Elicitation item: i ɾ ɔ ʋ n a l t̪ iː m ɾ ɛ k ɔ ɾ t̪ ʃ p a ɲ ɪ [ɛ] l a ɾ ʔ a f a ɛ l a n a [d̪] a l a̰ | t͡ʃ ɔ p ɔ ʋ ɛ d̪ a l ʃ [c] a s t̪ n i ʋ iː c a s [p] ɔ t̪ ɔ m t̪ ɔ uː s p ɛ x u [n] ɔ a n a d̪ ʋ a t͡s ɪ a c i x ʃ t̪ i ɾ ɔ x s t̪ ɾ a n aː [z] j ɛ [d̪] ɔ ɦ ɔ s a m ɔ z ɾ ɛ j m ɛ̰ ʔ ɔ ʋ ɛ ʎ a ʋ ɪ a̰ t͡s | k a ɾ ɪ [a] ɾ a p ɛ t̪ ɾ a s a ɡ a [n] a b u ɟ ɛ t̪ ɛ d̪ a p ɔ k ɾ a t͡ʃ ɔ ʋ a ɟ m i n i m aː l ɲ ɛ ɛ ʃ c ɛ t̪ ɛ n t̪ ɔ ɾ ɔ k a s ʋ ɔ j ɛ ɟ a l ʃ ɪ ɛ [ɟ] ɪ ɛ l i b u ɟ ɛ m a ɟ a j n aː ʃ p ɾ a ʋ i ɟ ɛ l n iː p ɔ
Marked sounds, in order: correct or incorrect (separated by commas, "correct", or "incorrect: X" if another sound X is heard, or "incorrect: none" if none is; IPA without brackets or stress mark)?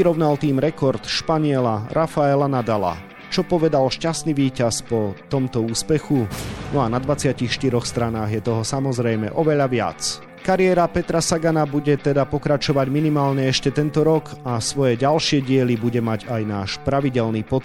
correct, correct, correct, correct, correct, incorrect: ɣ, incorrect: t̪, incorrect: ɛ, correct, correct